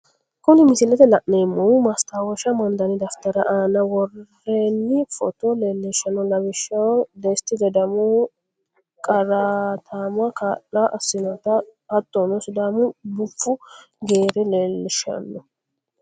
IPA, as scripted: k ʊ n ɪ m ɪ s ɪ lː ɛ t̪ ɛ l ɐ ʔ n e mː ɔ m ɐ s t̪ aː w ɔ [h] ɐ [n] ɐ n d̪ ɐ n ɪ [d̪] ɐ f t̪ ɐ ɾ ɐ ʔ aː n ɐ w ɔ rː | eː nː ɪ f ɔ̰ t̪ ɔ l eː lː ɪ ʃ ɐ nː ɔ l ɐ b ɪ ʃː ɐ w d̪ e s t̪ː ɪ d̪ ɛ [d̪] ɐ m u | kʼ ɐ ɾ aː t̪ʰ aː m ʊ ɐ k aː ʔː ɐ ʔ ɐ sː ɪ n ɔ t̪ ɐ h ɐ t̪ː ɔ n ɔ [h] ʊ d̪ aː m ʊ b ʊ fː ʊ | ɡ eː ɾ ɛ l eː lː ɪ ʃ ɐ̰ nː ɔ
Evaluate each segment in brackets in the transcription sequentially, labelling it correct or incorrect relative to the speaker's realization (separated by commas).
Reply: incorrect, incorrect, correct, correct, incorrect